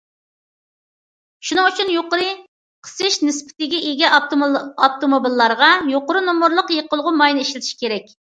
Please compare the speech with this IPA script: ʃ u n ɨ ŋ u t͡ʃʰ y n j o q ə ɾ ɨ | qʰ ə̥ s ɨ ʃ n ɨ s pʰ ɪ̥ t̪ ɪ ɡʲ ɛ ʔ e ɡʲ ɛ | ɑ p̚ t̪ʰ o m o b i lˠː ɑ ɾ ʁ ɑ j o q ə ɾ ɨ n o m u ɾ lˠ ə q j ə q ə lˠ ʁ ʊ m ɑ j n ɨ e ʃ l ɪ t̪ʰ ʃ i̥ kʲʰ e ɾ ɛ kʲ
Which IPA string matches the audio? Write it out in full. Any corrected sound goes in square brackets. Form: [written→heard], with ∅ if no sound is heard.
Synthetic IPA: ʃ u n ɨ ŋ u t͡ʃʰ y n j o q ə ɾ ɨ | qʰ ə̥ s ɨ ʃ n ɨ s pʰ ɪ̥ t̪ ɪ ɡʲ ɛ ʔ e ɡʲ ɛ | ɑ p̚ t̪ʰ o m o b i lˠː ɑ ɾ ʁ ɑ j o q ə ɾ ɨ n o m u ɾ lˠ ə q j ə q ə lˠ ʁ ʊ m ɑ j n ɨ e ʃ l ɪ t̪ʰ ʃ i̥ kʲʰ e ɾ ɛ kʲ

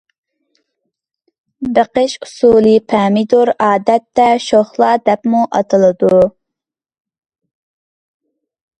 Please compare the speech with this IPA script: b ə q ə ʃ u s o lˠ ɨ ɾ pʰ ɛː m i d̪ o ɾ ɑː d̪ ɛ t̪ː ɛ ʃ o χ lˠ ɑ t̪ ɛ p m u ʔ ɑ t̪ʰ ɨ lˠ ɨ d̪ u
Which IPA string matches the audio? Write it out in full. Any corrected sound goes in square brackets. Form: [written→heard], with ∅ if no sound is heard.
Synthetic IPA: b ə q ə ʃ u s [o→u] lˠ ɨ [ɾ→∅] pʰ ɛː m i d̪ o ɾ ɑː d̪ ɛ t̪ː ɛ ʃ o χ lˠ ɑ [t̪→d̪] ɛ p m u ʔ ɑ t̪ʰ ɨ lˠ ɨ d̪ u

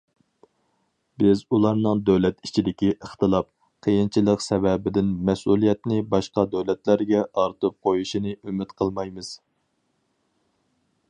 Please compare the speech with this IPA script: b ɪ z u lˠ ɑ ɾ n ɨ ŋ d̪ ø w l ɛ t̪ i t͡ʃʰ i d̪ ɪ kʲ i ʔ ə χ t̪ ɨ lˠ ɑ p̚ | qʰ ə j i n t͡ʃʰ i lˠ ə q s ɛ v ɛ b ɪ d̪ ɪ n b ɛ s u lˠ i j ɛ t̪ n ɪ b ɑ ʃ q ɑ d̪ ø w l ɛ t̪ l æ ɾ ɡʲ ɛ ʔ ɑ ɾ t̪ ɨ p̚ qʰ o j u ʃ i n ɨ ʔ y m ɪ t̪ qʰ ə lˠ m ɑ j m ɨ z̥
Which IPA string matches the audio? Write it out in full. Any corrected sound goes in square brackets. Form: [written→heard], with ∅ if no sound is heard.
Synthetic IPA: b ɪ z u lˠ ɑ ɾ n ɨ ŋ d̪ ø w l ɛ t̪ i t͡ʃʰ i d̪ ɪ kʲ i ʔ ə χ t̪ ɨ lˠ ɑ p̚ | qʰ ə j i n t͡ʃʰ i lˠ ə q s ɛ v ɛ b ɪ d̪ ɪ n [b→m] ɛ s u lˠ i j ɛ t̪ n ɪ b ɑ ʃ q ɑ d̪ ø w l ɛ t̪ l æ ɾ ɡʲ ɛ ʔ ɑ ɾ t̪ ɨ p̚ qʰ o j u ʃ i n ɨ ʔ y m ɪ t̪ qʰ ə lˠ m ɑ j m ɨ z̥

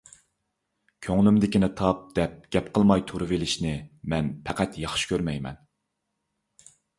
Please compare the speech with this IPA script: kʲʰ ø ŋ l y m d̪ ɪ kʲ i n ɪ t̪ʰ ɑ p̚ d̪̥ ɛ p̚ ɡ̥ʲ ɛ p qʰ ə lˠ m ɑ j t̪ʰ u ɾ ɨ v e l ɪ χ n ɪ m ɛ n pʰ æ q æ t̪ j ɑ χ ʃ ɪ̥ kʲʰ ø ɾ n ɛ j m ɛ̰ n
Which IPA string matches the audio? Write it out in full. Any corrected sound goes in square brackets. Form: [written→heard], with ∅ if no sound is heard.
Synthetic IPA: kʲʰ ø ŋ l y m d̪ ɪ kʲ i n ɪ t̪ʰ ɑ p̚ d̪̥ ɛ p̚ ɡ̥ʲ ɛ p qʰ ə lˠ m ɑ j t̪ʰ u ɾ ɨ v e l ɪ [χ→ʃ] n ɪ m ɛ n pʰ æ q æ t̪ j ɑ χ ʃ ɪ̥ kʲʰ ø ɾ [n→m] ɛ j m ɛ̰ n

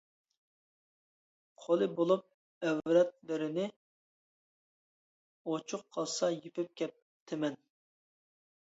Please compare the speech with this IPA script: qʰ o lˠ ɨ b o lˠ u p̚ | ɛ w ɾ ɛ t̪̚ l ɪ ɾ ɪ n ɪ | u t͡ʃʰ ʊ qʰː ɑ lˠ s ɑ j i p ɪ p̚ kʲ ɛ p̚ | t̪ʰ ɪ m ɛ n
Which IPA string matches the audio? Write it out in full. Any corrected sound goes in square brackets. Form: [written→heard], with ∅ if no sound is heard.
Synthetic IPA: qʰ o lˠ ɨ b o lˠ u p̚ | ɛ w ɾ ɛ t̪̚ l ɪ ɾ ɪ n ɪ | [u→o] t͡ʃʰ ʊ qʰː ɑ lˠ s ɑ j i p ɪ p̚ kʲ ɛ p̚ | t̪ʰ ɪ m ɛ n

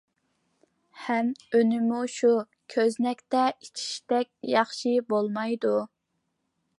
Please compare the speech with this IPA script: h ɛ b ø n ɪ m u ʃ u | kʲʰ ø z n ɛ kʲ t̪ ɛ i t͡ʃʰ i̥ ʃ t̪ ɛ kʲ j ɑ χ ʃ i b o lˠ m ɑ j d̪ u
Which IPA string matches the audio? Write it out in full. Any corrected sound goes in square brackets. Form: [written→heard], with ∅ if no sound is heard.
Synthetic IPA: h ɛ [b→m] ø n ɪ m u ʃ u | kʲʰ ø z n ɛ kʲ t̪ ɛ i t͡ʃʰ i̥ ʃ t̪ ɛ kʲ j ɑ χ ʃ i b o lˠ m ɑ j d̪ u

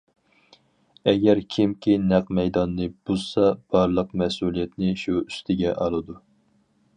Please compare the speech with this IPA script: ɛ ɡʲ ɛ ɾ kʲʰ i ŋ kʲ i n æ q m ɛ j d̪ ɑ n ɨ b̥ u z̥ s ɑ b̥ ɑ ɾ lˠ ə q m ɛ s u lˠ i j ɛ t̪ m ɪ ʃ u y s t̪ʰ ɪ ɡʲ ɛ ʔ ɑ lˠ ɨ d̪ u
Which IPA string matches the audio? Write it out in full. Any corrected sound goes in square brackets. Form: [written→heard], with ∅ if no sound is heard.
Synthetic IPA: ɛ ɡʲ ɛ ɾ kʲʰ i [ŋ→m] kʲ i n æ q m ɛ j d̪ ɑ [n→nː] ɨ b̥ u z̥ s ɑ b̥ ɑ ɾ lˠ ə q m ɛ s u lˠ i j ɛ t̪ [m→n] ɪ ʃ u y s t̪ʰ ɪ ɡʲ ɛ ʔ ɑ lˠ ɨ d̪ u

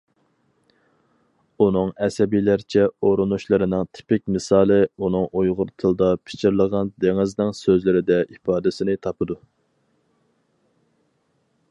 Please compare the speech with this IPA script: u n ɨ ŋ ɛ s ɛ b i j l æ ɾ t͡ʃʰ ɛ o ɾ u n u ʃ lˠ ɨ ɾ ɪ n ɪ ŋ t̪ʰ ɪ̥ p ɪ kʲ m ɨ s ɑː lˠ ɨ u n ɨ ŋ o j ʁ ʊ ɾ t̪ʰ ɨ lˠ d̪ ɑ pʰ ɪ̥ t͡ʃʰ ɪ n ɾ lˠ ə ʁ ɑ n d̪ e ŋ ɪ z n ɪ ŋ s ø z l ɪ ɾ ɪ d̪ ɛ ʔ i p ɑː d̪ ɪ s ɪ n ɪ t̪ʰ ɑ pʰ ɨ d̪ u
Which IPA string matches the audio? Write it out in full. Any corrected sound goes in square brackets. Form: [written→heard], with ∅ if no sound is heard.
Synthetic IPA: u n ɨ ŋ ɛ s ɛ b i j l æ ɾ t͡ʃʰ ɛ o ɾ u n u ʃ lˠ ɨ ɾ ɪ n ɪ ŋ t̪ʰ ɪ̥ p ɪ kʲ m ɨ s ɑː lˠ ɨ u n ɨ ŋ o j ʁ ʊ ɾ t̪ʰ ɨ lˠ d̪ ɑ pʰ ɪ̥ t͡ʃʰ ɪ [n→∅] ɾ lˠ ə ʁ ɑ n d̪ e ŋ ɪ z n ɪ ŋ s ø z l ɪ ɾ ɪ d̪ ɛ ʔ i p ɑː d̪ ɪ s ɪ n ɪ t̪ʰ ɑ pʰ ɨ d̪ u

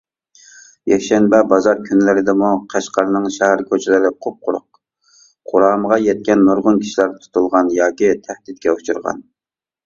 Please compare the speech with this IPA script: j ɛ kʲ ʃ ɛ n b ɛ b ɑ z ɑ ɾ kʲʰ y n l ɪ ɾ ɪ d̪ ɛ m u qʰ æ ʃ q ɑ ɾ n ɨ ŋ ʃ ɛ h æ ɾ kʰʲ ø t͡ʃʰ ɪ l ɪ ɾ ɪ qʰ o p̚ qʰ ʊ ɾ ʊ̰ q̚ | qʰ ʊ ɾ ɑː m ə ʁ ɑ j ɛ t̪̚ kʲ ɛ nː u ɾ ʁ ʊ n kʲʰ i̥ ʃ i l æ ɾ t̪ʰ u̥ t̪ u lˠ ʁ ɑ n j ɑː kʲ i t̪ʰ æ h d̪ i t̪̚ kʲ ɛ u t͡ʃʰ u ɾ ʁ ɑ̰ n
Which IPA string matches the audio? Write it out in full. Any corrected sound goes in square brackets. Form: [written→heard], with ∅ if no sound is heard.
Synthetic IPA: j ɛ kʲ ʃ ɛ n b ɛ b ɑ z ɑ ɾ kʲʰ y n l ɪ ɾ ɪ d̪ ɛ m u qʰ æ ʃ q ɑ ɾ n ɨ ŋ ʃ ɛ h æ ɾ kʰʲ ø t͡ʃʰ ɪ l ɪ ɾ ɪ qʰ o p̚ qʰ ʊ ɾ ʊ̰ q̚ | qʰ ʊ ɾ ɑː m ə ʁ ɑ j ɛ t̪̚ kʲ ɛ nː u ɾ ʁ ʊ n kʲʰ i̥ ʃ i l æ ɾ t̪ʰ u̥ t̪ u lˠ ʁ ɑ n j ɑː kʲ i t̪ʰ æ h d̪ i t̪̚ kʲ ɛ u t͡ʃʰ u ɾ ʁ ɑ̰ n

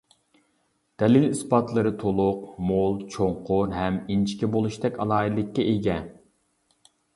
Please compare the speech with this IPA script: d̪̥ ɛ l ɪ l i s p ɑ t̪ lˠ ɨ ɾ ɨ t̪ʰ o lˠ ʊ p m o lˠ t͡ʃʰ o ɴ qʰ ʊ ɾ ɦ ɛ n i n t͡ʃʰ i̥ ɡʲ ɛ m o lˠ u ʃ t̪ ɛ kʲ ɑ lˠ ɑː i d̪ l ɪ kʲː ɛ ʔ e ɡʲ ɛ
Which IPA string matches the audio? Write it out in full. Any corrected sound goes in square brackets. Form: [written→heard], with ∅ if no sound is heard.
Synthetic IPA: d̪̥ ɛ l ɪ l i s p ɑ t̪ lˠ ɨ ɾ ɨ t̪ʰ o lˠ ʊ [p→q] m o lˠ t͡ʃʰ o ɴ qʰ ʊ ɾ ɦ ɛ [n→m] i n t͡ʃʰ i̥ [ɡʲ→kʲ] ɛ [m→b] o lˠ u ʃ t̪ ɛ kʲ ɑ lˠ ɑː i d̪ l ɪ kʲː ɛ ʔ e ɡʲ ɛ

